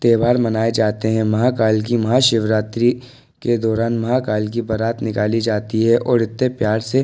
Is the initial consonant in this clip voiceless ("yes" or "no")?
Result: yes